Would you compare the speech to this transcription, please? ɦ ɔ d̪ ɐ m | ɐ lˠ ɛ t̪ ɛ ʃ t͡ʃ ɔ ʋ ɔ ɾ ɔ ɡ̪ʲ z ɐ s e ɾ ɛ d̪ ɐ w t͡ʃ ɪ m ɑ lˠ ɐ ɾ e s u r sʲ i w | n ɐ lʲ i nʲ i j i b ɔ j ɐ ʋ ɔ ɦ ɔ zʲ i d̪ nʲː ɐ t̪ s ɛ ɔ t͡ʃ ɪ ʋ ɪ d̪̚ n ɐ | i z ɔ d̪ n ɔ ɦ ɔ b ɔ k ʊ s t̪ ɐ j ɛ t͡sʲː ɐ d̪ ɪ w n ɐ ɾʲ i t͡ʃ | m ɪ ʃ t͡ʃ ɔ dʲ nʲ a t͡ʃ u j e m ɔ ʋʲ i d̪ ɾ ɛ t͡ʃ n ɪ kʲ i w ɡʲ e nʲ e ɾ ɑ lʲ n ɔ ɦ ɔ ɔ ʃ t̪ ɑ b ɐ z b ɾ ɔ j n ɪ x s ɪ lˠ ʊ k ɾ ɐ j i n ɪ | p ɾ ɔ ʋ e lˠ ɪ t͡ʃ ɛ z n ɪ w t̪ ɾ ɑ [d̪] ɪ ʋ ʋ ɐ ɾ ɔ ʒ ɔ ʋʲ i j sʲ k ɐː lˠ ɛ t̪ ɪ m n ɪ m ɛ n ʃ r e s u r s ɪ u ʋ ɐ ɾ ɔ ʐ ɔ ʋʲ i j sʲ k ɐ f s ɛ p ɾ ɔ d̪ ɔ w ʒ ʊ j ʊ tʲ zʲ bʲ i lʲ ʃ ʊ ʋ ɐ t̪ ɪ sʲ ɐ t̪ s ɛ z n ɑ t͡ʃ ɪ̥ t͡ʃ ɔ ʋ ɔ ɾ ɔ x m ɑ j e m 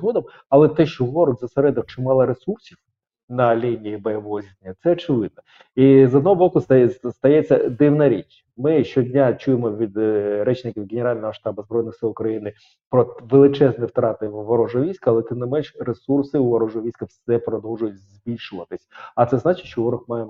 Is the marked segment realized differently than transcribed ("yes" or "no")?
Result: yes